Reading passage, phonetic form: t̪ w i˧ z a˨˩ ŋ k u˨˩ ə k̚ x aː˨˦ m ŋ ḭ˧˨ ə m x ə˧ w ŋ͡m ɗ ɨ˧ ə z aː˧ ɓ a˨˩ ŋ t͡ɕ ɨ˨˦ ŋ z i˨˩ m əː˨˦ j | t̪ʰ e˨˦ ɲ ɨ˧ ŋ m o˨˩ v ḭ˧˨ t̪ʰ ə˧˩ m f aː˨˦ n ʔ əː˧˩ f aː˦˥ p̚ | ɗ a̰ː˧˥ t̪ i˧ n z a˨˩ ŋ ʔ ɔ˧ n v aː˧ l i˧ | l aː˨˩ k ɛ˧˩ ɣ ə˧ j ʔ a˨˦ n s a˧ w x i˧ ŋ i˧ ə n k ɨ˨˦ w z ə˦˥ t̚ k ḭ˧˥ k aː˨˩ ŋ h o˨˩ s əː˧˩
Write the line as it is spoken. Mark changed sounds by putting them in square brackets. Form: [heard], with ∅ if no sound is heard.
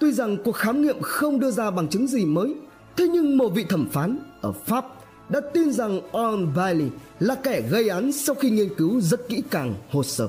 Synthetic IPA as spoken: t̪ w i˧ z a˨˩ ŋ k u˨˩ ə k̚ x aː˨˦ m ŋ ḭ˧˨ ə m x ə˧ w ŋ͡m ɗ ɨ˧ ə z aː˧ ɓ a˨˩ ŋ t͡ɕ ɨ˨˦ ŋ z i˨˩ m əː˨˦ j | t̪ʰ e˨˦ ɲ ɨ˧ ŋ m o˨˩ v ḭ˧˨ t̪ʰ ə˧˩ m f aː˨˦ n ʔ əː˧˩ f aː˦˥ p̚ | ɗ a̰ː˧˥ t̪ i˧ n z a˨˩ ŋ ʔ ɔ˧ n v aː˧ l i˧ | l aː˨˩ k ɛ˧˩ ɣ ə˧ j ʔ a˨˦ n s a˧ w x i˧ ŋ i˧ ə n k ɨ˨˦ w z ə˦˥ t̚ k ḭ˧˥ k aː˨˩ ŋ h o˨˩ s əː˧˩